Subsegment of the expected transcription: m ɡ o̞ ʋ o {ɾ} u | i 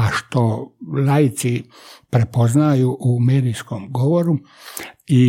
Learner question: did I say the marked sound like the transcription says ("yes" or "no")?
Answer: yes